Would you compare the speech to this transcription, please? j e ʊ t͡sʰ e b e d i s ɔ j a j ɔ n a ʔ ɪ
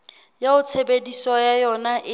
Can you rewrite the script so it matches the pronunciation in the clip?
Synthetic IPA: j a ʊ t͡sʰ e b e d i s ɔ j a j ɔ n a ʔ ɪ